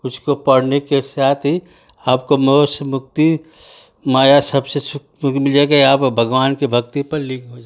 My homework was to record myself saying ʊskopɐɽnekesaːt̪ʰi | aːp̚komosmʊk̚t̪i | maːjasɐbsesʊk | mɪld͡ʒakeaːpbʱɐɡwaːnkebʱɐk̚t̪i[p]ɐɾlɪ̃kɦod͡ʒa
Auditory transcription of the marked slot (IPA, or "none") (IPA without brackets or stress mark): p